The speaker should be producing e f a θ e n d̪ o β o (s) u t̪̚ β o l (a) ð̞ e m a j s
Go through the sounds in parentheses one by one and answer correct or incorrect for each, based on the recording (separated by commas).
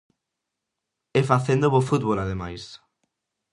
incorrect, correct